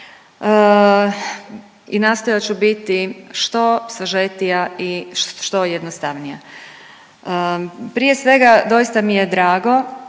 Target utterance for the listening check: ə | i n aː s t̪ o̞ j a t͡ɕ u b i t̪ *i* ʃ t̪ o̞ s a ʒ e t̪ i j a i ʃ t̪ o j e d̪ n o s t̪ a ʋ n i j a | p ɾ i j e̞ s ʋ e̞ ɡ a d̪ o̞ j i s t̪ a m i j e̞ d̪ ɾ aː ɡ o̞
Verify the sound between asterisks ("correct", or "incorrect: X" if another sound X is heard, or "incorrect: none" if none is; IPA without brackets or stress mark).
correct